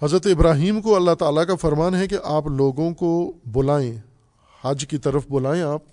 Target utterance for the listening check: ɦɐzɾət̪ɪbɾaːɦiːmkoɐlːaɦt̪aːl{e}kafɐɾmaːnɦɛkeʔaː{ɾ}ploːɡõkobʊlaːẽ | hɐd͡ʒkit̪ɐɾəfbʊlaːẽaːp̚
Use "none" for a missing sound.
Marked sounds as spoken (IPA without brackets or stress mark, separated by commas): a, none